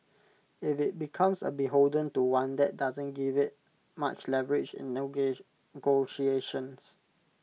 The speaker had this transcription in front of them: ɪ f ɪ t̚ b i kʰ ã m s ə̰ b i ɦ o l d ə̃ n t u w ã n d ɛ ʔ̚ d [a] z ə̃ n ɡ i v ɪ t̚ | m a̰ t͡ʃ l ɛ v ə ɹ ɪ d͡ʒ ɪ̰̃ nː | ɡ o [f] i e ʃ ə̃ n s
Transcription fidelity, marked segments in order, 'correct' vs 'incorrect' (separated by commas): correct, incorrect